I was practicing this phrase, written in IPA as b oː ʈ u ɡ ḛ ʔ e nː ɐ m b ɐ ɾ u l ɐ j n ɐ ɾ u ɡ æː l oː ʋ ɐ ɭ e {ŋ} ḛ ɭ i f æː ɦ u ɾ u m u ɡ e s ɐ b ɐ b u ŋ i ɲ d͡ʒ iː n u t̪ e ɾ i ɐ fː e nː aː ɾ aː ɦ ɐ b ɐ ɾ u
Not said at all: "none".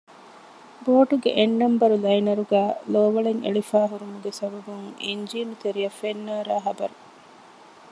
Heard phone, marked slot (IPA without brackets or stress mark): ŋ